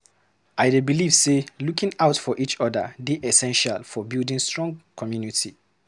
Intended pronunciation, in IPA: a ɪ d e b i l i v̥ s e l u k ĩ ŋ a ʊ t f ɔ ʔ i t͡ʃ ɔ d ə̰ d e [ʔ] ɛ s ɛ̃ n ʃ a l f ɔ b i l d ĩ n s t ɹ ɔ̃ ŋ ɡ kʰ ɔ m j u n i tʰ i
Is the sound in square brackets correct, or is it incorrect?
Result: correct